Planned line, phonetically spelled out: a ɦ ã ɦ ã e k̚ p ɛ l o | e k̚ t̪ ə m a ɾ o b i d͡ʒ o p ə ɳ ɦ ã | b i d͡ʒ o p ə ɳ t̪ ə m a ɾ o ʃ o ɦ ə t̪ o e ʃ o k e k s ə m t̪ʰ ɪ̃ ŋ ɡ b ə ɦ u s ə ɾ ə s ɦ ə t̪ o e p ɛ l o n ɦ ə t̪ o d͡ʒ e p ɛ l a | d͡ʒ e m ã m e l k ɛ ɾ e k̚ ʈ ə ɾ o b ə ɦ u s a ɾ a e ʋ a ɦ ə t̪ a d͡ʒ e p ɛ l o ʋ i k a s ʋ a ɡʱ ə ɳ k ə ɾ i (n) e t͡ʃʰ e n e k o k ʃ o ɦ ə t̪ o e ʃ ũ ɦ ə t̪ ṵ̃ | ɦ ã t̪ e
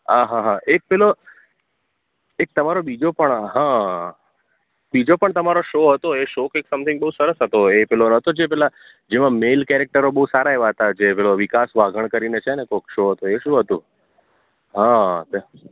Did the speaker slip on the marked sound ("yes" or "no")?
no